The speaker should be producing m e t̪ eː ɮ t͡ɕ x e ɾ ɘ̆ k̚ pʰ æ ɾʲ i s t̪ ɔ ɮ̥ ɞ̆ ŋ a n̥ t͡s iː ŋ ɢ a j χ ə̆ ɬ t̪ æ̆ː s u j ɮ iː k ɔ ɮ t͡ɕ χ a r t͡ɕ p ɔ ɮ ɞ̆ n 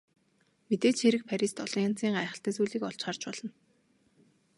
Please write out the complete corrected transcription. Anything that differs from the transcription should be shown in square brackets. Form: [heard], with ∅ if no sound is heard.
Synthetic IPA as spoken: m e t̪ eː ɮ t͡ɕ x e ɾ ɘ̆ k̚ pʰ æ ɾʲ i s t̪ ɔ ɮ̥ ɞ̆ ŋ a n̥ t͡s iː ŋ ɢ a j χ ə̆ ɬ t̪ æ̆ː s u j ɮ iː k ɔ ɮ t͡ɕ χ a r t͡ɕ p ɔ ɮ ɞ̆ n